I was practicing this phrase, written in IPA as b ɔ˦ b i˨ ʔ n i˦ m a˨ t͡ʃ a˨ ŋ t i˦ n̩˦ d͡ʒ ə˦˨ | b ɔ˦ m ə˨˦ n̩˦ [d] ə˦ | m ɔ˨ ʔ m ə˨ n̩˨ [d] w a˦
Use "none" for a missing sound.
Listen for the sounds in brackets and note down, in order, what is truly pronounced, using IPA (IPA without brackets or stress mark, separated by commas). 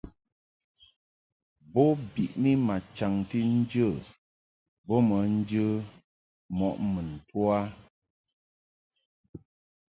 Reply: d͡ʒ, t